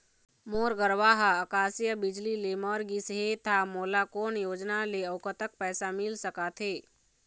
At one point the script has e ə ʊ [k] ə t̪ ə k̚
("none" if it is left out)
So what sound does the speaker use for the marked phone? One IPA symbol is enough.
k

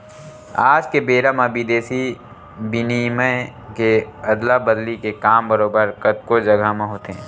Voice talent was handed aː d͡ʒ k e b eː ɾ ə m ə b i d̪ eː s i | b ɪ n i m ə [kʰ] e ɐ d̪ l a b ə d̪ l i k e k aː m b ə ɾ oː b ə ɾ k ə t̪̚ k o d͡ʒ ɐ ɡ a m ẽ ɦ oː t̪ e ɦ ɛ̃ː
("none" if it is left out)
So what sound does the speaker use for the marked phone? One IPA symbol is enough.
k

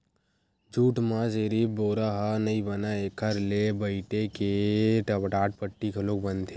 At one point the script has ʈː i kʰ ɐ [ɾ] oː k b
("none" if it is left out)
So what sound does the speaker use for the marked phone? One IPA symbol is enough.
l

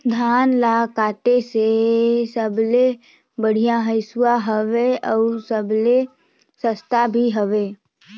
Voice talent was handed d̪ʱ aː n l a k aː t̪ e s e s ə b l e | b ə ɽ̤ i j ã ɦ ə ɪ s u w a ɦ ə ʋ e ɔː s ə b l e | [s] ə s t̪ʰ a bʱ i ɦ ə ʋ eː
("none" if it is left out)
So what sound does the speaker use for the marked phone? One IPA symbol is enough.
s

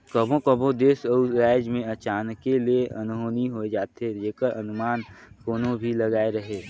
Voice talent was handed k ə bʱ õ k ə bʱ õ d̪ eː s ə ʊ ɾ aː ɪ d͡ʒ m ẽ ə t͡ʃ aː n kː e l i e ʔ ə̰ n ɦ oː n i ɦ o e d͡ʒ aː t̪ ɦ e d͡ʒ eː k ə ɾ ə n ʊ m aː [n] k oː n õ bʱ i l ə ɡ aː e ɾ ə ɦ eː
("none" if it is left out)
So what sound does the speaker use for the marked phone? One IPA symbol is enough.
n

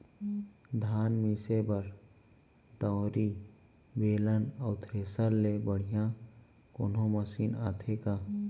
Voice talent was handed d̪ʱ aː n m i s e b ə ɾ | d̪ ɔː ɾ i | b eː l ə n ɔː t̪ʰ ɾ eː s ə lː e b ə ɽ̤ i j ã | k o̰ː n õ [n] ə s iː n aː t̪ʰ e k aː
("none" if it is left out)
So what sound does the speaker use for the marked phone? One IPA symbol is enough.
m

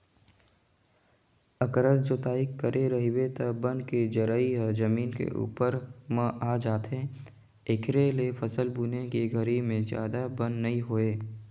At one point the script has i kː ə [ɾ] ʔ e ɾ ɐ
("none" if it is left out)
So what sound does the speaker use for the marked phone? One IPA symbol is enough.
ɾ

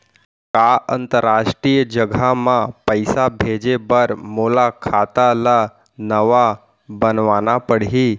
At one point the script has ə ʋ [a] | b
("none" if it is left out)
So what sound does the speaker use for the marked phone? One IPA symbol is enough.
a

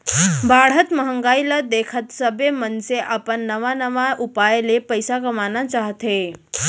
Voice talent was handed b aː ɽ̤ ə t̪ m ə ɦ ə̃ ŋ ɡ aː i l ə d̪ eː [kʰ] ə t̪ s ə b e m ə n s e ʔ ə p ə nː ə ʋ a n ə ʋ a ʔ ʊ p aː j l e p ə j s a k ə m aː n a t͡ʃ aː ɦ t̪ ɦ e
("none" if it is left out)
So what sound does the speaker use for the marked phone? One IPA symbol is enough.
kʰ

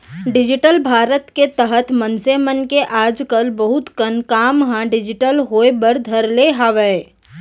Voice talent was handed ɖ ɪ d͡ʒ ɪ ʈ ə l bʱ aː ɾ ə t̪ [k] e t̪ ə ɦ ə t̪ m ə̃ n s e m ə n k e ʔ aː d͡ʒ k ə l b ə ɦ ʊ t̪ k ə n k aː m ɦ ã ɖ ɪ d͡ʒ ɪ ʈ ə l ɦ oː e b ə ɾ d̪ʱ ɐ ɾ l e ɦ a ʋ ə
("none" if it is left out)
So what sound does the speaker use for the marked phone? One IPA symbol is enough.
k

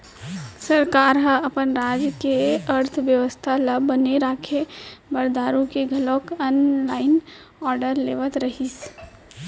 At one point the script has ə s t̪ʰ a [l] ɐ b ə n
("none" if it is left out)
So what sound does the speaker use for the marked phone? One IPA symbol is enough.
l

